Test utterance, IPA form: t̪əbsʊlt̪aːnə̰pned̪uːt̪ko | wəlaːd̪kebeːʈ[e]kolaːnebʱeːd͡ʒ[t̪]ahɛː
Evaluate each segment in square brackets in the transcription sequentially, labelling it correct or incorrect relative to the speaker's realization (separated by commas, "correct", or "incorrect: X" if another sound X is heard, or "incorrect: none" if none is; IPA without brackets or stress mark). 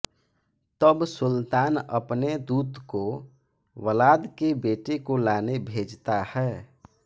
correct, correct